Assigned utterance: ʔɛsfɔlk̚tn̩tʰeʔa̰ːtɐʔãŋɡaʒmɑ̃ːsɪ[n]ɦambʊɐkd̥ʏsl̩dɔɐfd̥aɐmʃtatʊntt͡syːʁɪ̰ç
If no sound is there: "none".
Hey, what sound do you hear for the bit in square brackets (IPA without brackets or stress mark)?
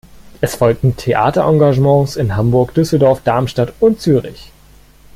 n